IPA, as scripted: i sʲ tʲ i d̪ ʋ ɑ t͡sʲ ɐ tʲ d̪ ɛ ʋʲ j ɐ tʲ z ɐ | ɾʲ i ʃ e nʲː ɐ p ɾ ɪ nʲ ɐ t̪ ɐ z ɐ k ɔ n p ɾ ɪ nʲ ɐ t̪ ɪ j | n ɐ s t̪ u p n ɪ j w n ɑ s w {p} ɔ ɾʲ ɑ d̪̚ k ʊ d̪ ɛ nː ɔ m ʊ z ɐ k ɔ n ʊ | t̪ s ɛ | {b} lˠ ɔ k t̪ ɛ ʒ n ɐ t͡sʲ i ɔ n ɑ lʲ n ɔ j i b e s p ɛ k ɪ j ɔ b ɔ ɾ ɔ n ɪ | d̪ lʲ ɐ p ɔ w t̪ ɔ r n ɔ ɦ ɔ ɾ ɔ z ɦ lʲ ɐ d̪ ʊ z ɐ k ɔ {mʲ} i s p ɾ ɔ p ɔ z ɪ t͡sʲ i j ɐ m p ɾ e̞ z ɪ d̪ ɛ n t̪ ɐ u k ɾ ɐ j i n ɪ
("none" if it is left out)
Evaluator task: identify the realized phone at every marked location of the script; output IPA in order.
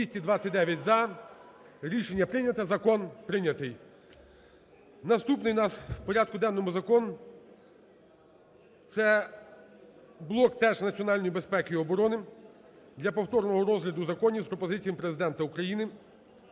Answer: p, b, nʲ

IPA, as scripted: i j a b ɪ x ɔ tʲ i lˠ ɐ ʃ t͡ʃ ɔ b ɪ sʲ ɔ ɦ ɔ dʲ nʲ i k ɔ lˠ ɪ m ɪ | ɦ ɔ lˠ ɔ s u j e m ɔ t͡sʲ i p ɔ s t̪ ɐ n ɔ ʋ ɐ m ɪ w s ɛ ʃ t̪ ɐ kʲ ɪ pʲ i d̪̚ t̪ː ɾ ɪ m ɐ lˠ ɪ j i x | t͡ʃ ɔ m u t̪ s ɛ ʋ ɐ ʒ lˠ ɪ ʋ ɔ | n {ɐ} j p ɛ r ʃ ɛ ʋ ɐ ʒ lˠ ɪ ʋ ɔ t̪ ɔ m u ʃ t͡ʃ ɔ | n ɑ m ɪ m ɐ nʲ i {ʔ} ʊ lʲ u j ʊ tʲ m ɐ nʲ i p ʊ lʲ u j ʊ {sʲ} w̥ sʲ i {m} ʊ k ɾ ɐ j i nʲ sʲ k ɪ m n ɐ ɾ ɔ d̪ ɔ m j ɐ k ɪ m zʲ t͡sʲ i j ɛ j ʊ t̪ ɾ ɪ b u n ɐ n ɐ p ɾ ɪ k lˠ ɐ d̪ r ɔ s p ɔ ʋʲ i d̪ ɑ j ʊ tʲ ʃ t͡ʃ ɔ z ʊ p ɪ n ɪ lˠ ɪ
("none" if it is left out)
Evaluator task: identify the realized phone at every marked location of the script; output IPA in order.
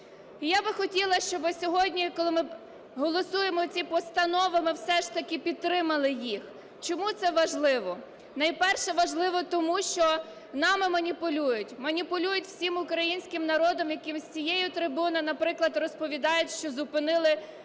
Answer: ɐ, p, tʲ, m

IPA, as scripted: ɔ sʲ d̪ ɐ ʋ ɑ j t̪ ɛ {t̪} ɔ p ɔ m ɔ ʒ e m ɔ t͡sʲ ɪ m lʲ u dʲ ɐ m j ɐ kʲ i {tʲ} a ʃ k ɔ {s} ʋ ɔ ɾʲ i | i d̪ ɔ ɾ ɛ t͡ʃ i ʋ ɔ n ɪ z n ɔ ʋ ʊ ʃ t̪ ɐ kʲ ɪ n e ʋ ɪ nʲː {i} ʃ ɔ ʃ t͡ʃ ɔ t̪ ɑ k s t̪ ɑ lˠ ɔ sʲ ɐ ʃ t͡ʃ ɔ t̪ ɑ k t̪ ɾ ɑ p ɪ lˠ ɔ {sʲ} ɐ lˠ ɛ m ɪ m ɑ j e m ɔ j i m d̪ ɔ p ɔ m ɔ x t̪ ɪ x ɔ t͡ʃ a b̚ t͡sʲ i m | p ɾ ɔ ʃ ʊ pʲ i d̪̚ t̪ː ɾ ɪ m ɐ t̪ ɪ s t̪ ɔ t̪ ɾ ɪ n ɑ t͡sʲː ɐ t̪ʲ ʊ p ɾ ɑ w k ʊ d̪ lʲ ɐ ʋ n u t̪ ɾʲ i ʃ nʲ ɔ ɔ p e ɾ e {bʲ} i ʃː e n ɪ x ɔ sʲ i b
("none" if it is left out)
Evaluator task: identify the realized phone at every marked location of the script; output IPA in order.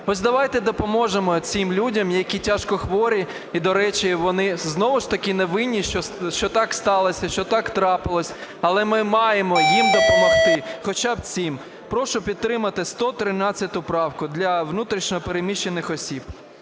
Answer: d̪, tʲ, x, i, sʲ, mʲ

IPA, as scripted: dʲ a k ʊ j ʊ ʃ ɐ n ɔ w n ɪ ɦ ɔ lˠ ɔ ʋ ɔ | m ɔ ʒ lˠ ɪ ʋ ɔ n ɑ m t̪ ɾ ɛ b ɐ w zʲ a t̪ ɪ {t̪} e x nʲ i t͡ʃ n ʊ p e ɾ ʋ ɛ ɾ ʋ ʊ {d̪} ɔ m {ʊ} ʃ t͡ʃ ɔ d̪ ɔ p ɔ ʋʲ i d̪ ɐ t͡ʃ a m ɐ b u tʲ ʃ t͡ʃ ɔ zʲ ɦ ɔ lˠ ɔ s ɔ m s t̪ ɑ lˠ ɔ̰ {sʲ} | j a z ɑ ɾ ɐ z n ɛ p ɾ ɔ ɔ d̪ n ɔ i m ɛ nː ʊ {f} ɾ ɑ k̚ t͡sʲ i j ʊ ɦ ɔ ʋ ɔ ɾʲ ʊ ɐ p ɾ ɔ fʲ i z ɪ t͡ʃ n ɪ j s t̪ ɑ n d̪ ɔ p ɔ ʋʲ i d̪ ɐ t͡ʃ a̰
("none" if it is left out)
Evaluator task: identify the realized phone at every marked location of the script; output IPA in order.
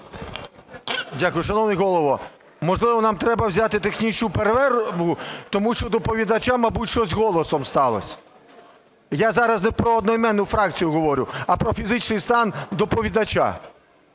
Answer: t̪, t̪, u, sʲ, f

